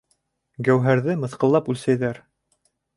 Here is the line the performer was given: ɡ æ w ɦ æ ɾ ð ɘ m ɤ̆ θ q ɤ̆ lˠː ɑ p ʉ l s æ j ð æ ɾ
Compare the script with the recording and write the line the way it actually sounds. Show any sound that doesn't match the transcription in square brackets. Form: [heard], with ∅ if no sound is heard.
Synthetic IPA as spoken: ɡ æ w ɦ æ ɾ ð ɘ m ɤ̆ θ q ɤ̆ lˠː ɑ p ʉ l s æ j ð æ ɾ

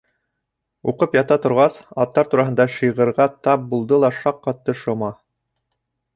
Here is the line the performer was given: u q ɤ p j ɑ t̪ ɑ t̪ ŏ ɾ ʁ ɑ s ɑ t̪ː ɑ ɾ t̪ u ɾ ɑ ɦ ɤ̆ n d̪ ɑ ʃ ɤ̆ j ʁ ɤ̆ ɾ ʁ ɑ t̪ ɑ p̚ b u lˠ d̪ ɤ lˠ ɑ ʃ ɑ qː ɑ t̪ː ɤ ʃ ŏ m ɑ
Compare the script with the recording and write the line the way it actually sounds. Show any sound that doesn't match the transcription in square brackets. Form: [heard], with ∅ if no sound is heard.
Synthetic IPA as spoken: u q ɤ p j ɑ t̪ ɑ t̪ ŏ ɾ ʁ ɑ s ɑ t̪ː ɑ ɾ t̪ u ɾ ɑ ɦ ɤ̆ n d̪ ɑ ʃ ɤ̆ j ʁ ɤ̆ ɾ ʁ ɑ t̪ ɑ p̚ b u lˠ d̪ ɤ lˠ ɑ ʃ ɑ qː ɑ t̪ː ɤ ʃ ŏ m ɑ

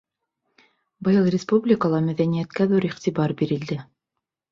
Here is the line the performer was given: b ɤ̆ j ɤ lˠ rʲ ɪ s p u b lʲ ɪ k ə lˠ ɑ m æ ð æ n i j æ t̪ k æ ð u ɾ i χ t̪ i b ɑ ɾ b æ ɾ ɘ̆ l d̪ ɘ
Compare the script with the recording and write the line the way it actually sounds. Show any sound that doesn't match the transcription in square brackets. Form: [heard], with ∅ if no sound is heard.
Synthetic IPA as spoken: b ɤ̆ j ɤ lˠ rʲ ɪ s p u b lʲ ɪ k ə lˠ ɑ m æ ð æ n i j æ t̪ k æ ð u ɾ i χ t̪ i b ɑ ɾ b [i] ɾ ɘ̆ l d̪ ɘ

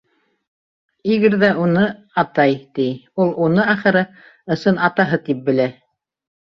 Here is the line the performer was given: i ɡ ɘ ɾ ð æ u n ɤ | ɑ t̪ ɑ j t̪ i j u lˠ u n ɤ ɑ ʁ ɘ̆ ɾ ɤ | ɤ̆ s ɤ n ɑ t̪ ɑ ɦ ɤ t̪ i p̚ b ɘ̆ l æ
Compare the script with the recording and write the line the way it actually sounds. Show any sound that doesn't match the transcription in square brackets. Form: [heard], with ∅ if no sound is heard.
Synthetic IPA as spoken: i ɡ ɘ ɾ ð æ u n ɤ | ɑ t̪ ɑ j t̪ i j u lˠ u n ɤ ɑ [χ] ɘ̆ ɾ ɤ | ɤ̆ s ɤ n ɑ t̪ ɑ ɦ ɤ t̪ i p̚ b ɘ̆ l æ

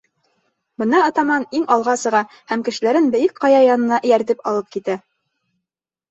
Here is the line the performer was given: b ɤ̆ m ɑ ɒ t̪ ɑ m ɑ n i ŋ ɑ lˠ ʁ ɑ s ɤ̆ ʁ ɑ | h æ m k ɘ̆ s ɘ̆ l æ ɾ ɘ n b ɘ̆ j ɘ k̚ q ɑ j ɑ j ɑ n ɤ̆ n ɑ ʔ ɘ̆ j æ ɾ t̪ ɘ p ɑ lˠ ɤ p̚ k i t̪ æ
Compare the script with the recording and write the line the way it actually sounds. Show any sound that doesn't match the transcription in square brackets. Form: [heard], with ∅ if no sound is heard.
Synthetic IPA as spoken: b ɤ̆ [n] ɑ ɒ t̪ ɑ m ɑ n i ŋ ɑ lˠ ʁ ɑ s ɤ̆ ʁ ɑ | h æ m k ɘ̆ [ʃ] ɘ̆ l æ ɾ ɘ n b ɘ̆ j ɘ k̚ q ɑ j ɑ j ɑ n ɤ̆ n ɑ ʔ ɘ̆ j æ ɾ t̪ ɘ p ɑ lˠ ɤ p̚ k i t̪ æ

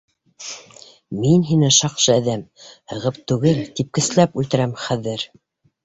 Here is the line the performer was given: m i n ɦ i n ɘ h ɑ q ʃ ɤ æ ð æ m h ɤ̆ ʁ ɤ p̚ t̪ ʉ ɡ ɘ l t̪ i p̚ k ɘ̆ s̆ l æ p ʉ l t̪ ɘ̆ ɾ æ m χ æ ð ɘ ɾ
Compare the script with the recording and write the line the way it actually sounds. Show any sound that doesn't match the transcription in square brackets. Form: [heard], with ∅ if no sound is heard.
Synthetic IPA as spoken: m i n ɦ i n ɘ [ʃ] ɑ q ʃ ɤ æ ð æ m h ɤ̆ ʁ ɤ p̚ t̪ ʉ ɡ ɘ l t̪ i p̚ k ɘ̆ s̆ l æ p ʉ l t̪ ɘ̆ ɾ æ m χ æ ð ɘ ɾ

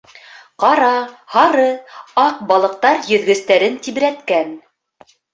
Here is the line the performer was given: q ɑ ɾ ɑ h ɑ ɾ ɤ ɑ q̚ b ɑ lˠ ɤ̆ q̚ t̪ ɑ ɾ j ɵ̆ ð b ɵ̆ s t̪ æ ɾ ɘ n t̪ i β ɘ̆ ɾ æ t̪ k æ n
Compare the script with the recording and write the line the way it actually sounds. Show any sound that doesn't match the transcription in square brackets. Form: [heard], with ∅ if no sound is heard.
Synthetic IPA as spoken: q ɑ ɾ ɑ h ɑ ɾ ɤ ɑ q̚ b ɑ lˠ ɤ̆ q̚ t̪ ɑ ɾ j ɵ̆ ð [ɡ] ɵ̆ s t̪ æ ɾ ɘ n t̪ i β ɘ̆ ɾ æ t̪ k æ n

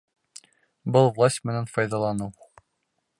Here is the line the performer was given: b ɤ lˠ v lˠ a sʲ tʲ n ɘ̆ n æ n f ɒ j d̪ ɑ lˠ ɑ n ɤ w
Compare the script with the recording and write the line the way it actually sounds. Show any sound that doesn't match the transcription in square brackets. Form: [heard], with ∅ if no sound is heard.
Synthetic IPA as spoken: b ɤ lˠ v lˠ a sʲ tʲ [m] ɘ̆ n æ n f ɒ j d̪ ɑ lˠ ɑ n ɤ w

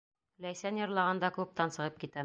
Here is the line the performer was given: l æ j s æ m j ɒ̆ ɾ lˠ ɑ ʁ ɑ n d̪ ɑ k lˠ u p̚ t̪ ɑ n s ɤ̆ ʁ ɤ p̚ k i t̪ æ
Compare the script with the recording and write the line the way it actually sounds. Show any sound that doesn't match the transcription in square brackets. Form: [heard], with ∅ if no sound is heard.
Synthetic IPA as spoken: l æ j s æ [n] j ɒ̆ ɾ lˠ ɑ ʁ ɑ n d̪ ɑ k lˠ u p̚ t̪ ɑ n s ɤ̆ ʁ ɤ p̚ k i t̪ æ

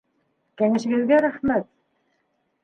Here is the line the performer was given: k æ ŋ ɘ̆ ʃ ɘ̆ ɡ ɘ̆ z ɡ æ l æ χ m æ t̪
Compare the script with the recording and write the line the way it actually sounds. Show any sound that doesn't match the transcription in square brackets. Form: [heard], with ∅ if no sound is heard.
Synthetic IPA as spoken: k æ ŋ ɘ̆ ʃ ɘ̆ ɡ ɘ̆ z ɡ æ [ɾ] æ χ m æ t̪

